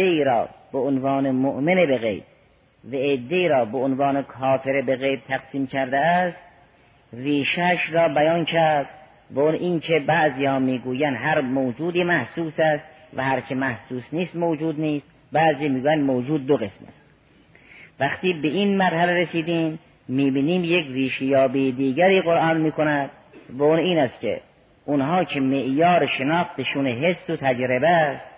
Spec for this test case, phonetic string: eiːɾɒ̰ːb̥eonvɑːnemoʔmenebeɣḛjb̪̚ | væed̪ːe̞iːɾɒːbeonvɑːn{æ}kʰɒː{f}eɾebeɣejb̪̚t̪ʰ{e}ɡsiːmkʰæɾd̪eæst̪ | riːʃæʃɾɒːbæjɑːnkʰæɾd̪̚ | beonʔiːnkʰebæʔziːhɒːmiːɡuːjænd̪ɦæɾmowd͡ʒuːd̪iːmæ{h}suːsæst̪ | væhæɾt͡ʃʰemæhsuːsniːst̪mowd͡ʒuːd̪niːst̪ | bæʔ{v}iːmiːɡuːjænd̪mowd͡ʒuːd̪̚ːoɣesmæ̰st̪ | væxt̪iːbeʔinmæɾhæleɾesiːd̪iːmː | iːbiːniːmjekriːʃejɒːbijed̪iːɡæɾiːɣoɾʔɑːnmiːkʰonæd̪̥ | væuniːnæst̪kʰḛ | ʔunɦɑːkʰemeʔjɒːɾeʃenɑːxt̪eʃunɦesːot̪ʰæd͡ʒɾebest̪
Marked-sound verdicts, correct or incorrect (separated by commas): incorrect, correct, incorrect, correct, incorrect